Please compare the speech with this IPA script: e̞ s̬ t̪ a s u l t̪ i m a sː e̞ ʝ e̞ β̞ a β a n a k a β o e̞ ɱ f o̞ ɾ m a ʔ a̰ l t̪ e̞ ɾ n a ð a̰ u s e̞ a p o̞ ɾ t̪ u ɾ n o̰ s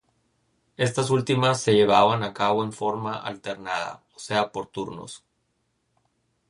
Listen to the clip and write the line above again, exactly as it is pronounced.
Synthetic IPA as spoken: e̞ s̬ t̪ a s u l t̪ i m a sː e̞ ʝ e̞ β̞ a β a n a k a β o e̞ ɱ f o̞ ɾ m a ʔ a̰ l t̪ e̞ ɾ n a ð a̰ o s e̞ a p o̞ ɾ t̪ u ɾ n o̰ s